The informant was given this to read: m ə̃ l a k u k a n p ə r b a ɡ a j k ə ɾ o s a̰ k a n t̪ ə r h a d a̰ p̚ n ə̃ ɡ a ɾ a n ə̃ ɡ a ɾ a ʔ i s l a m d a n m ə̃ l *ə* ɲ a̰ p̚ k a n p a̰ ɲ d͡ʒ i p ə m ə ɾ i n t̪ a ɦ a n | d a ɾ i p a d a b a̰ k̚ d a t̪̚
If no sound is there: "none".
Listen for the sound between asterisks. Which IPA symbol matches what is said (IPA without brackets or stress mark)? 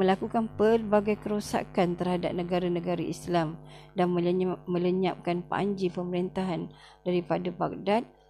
ə